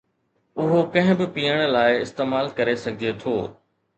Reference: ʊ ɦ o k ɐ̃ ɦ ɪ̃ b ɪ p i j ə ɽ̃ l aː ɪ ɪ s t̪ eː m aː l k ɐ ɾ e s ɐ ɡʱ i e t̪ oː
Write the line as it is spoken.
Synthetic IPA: ʊ ɦ o k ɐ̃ ɦ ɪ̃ b ɪ p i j ə ɽ̃ l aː ɪ ɪ s t̪ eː m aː l k ɐ ɾ e s ɐ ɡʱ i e t̪ʰ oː